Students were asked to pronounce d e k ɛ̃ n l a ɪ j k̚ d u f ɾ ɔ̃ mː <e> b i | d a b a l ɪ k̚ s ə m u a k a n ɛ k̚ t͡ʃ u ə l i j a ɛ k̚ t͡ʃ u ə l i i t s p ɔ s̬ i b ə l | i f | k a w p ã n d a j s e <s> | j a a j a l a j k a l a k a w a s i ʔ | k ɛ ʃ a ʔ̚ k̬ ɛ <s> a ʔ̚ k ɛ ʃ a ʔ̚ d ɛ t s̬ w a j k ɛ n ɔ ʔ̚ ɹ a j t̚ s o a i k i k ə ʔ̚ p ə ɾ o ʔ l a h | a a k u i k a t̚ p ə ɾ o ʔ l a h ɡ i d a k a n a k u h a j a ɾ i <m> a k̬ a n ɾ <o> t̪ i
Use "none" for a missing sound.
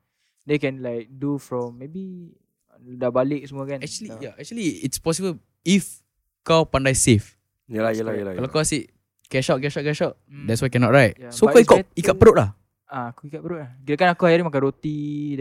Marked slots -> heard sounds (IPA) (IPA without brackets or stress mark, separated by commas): e, f, ʃ, m, o